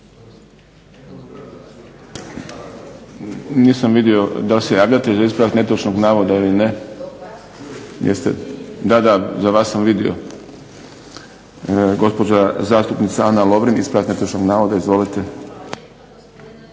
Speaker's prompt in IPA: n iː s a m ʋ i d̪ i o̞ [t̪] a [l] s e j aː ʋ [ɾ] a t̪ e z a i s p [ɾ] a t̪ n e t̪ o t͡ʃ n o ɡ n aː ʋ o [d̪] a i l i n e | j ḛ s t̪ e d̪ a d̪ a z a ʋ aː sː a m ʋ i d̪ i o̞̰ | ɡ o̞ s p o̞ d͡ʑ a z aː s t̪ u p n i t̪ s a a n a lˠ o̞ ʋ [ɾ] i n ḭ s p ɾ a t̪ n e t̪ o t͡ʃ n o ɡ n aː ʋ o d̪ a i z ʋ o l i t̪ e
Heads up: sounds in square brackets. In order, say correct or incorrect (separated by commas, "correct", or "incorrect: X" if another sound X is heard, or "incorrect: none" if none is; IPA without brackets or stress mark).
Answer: incorrect: d̪, correct, incorrect: ʎ, correct, correct, correct